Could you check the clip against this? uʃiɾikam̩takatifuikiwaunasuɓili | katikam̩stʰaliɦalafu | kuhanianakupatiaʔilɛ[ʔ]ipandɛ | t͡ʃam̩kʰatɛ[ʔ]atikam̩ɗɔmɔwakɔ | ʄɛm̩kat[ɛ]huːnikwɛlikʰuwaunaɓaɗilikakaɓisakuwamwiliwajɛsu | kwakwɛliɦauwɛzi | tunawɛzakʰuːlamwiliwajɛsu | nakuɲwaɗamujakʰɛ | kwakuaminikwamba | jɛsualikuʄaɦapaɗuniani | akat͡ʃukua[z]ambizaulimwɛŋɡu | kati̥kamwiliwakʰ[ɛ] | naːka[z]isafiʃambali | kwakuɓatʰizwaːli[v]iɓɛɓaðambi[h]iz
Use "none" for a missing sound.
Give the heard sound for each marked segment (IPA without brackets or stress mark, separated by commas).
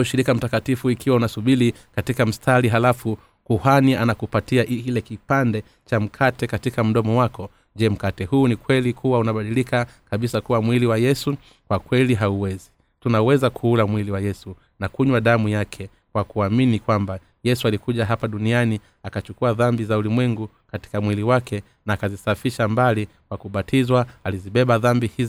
k, k, ɛ, ð, ɛ, z, z, h